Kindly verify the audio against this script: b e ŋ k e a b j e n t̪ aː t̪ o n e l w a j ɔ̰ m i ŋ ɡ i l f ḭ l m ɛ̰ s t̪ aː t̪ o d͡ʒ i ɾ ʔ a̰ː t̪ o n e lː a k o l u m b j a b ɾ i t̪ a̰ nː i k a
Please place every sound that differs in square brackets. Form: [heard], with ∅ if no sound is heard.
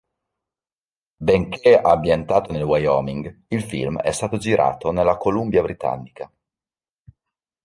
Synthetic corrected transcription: b e ŋ k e a b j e n t̪ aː t̪ o n e l w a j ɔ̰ m i ŋ ɡ i l f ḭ l m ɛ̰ s t̪ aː t̪ o d͡ʒ i ɾ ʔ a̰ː t̪ o n e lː a k o l u m b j a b ɾ i t̪ a̰ nː i k a